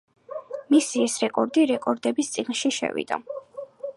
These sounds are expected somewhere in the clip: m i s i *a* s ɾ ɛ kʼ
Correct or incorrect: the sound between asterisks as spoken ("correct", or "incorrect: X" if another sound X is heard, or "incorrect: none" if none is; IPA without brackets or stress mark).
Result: incorrect: ɛ